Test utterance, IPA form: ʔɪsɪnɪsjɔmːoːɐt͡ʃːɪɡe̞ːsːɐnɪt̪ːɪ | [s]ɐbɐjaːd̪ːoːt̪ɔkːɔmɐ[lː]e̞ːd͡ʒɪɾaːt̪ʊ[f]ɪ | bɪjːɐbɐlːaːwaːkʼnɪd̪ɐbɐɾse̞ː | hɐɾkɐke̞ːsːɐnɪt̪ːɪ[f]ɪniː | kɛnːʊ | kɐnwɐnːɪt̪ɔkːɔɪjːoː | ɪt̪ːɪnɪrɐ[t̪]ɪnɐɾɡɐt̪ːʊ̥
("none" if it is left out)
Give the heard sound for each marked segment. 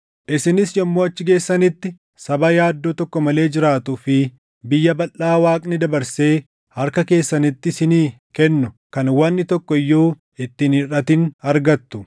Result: s, l, f, s, t̪

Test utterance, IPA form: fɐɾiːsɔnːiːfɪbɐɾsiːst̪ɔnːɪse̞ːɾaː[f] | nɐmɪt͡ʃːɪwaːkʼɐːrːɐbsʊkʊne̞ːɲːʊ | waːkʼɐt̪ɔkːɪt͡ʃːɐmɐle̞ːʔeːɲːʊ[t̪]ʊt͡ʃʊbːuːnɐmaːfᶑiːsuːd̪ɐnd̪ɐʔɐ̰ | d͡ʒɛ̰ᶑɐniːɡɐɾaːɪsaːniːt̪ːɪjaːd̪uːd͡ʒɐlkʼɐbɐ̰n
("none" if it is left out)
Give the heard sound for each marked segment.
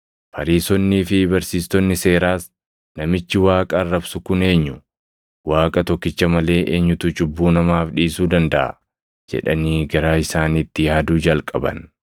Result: s, t̪

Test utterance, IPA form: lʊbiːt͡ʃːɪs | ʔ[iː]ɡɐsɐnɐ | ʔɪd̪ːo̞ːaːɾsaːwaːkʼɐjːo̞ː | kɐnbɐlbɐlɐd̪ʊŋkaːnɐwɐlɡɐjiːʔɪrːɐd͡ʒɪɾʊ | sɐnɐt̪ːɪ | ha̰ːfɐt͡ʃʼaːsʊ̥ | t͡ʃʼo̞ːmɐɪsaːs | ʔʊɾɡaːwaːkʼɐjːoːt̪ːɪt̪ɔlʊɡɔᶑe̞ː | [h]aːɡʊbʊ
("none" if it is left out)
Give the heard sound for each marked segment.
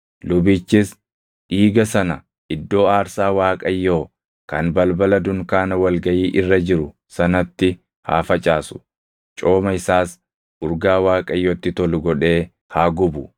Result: iː, h

